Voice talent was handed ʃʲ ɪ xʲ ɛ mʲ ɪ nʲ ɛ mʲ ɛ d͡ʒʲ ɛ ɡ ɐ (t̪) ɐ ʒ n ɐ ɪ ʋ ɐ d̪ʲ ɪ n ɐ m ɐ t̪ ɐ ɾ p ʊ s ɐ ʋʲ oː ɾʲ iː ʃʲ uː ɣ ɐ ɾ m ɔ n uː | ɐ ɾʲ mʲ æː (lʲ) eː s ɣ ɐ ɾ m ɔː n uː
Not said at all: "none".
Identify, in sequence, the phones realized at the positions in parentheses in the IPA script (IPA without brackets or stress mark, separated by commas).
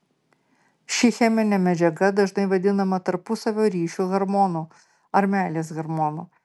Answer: d̪, lʲ